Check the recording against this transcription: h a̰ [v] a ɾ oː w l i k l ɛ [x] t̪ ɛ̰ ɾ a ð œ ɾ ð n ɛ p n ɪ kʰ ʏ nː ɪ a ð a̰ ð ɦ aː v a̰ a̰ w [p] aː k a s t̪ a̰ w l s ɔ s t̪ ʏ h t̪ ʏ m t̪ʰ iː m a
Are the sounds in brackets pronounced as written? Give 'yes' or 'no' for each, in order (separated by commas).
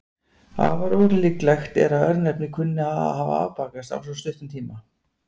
yes, yes, yes